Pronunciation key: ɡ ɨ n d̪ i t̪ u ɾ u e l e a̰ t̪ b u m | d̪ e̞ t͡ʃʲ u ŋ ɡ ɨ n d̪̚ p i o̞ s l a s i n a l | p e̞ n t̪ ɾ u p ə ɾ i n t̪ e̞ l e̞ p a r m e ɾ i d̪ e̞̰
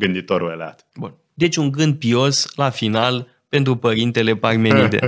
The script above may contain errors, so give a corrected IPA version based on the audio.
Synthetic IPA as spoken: ɡ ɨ n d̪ i t̪ o ɾ u e l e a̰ t̪ b u n | d̪ e̞ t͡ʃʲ u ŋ ɡ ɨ n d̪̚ p i o̞ s l a f i n a l | p e̞ n t̪ ɾ u p ə ɾ i n t̪ e̞ l e̞ p a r m e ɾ i d̪ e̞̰